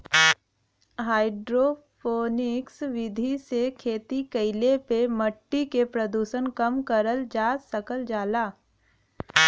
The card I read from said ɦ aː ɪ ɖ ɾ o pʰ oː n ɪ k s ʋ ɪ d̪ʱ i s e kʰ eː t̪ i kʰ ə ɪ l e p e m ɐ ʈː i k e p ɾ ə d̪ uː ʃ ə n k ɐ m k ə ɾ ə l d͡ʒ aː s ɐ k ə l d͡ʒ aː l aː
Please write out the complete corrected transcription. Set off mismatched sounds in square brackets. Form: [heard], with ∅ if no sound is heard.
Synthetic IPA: ɦ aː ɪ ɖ ɾ o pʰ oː n ɪ k s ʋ ɪ d̪ʱ i s e kʰ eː t̪ i [k] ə ɪ l e p e m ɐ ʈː i k e p ɾ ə d̪ uː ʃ ə n k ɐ m k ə ɾ ə l d͡ʒ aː s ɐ k ə l d͡ʒ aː l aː